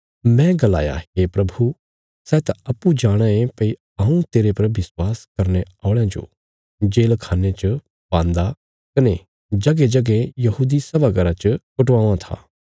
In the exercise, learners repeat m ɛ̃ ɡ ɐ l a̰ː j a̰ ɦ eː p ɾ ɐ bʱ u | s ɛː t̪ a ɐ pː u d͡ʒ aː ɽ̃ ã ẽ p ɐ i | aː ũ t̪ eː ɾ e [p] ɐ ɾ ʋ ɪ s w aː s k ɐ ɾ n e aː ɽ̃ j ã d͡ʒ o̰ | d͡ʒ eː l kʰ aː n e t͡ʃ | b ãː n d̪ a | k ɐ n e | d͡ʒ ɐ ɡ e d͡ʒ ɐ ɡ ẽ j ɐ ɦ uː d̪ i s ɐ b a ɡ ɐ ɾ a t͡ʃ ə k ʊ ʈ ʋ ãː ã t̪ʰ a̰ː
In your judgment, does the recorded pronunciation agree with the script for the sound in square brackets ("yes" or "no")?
yes